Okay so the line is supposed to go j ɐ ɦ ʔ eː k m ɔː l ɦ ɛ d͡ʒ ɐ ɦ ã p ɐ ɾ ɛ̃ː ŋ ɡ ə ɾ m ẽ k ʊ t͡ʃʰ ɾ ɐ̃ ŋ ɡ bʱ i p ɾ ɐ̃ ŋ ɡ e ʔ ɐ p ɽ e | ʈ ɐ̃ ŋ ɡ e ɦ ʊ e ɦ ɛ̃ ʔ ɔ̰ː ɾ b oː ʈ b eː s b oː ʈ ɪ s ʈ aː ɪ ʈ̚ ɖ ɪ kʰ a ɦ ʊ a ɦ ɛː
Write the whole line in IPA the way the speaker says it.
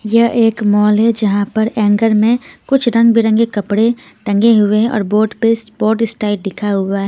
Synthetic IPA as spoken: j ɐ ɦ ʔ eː k m ɔː l ɦ ɛ d͡ʒ ɐ ɦ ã p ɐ ɾ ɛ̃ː ŋ ɡ ə ɾ m ẽ k ʊ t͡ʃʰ ɾ ɐ̃ ŋ ɡ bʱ i ɾ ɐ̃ ŋ ɡ e k ɐ p ɽ e | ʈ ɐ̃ ŋ ɡ e ɦ ʊ e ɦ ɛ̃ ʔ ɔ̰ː ɾ b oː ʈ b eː s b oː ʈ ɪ s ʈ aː ɪ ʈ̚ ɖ ɪ kʰ a ɦ ʊ a ɦ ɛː